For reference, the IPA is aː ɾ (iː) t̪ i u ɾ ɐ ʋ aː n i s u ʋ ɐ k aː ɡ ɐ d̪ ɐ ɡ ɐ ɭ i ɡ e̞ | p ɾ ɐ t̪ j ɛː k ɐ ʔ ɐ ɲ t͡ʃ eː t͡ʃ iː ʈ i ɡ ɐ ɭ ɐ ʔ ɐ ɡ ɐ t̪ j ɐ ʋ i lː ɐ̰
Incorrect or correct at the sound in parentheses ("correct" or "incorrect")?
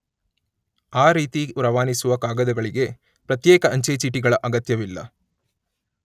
correct